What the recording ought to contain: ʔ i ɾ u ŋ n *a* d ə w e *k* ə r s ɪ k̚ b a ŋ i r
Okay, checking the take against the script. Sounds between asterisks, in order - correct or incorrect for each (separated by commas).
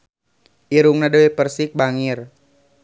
correct, incorrect